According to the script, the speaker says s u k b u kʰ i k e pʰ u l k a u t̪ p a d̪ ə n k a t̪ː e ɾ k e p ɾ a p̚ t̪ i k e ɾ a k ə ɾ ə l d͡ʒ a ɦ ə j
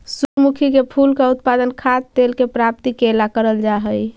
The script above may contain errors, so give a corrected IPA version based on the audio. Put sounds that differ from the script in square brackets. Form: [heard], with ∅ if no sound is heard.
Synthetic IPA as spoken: s u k [m] u kʰ i k e pʰ u l k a u t̪ p a d̪ ə n [kʰ] a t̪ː e [l] k e p ɾ a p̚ t̪ i k e [l] a k ə ɾ ə l d͡ʒ a ɦ ə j